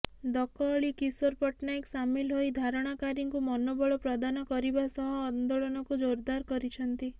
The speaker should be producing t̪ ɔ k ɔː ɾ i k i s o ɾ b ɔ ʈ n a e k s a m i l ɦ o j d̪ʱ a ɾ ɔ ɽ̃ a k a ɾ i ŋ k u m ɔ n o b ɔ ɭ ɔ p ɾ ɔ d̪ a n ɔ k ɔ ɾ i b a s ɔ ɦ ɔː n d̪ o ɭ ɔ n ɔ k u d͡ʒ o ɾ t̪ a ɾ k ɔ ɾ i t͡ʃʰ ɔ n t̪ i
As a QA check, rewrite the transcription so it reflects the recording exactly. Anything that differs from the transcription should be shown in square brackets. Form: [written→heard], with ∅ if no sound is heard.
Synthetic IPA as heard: [t̪→d̪] ɔ k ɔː [ɾ→ɭ] i k i s o ɾ [b→p] ɔ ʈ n a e k s a m i l ɦ o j d̪ʱ a ɾ ɔ ɽ̃ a k a ɾ i ŋ k u m ɔ n o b ɔ ɭ ɔ p ɾ ɔ d̪ a n ɔ k ɔ ɾ i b a s ɔ ɦ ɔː n d̪ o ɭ ɔ n ɔ k u d͡ʒ o ɾ [t̪→d̪] a ɾ k ɔ ɾ i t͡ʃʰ ɔ n t̪ i